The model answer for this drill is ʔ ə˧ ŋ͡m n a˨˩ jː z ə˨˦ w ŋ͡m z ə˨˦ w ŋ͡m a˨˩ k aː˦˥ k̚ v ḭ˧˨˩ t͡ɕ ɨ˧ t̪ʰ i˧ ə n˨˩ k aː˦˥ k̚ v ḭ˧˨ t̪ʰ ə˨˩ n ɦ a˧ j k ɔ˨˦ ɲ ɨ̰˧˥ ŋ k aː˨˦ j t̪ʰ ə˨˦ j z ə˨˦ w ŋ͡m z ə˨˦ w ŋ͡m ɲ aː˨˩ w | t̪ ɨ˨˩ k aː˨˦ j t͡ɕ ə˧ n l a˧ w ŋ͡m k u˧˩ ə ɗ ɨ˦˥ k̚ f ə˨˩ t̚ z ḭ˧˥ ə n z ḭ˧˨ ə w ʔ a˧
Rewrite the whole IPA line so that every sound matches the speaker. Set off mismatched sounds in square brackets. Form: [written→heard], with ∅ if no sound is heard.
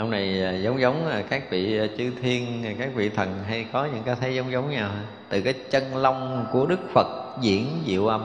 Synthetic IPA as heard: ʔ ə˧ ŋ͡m n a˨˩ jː z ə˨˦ w ŋ͡m z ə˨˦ w ŋ͡m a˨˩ k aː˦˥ k̚ v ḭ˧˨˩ t͡ɕ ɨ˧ t̪ʰ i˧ ə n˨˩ k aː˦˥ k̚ v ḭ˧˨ t̪ʰ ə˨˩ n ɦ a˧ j k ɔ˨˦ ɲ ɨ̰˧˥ ŋ k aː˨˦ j t̪ʰ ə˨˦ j z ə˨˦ w ŋ͡m z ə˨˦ w ŋ͡m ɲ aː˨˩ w | t̪ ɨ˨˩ k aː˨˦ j t͡ɕ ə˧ n l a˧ w ŋ͡m k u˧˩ ə ɗ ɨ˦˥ k̚ f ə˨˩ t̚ z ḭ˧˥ ə n z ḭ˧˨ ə w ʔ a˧